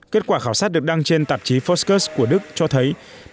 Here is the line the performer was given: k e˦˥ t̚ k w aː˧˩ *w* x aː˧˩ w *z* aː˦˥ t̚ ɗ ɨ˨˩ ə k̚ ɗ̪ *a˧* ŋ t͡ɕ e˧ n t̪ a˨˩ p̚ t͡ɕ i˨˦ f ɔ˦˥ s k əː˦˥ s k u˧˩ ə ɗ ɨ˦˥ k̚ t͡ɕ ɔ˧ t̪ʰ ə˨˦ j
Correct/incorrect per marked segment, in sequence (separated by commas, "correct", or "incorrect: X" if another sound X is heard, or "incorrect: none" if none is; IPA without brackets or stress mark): incorrect: none, incorrect: s, correct